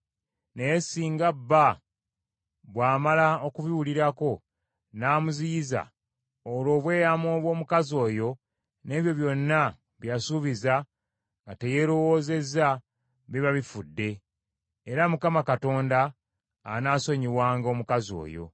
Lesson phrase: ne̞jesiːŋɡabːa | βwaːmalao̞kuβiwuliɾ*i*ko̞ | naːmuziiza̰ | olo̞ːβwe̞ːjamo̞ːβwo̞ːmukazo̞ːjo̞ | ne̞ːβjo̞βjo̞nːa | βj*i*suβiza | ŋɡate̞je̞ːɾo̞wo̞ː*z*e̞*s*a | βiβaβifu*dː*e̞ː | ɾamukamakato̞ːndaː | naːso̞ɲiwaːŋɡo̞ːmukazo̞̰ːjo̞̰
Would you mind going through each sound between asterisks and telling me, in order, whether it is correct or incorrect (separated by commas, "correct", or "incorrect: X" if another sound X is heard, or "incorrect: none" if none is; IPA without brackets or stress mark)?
incorrect: a, incorrect: a, correct, incorrect: z, correct